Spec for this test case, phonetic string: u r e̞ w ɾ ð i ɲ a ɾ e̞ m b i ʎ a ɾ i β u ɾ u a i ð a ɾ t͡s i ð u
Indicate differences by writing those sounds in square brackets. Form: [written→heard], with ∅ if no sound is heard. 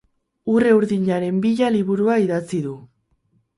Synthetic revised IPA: u r e̞ [w→u] ɾ ð i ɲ a ɾ e̞ m b i ʎ a [ɾ→l] i β u ɾ u a i ð a [ɾ→∅] t͡s i ð u